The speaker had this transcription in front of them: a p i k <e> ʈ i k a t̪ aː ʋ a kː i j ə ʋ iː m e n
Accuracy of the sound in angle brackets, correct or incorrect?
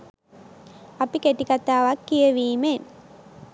correct